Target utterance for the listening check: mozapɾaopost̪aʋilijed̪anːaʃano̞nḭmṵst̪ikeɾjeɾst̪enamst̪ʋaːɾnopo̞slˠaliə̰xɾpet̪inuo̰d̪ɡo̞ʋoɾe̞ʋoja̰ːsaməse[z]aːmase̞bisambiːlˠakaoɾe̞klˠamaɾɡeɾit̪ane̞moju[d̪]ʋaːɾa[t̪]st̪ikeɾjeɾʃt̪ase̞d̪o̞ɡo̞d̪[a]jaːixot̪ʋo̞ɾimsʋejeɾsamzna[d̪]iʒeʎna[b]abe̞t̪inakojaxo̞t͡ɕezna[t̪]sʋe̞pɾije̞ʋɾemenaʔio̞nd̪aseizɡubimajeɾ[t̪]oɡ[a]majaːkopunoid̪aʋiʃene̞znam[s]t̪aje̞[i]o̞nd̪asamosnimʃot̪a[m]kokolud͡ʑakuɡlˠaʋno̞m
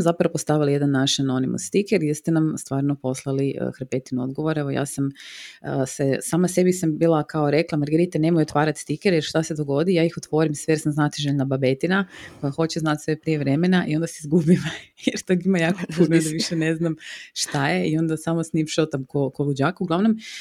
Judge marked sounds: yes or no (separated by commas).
no, no, yes, no, no, yes, yes, yes, no, no, yes, yes